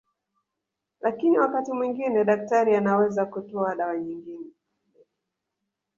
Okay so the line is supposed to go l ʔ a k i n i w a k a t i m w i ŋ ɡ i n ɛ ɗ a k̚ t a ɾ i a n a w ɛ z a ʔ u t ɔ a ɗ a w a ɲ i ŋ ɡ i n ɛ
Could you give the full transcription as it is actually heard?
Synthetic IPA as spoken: l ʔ a k i n i w a k a t i m w i ŋ ɡ i n ɛ ɗ a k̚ t a ɾ i a n a w ɛ z a k u t ɔ a ɗ a w a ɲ i ŋ ɡ i n ɛ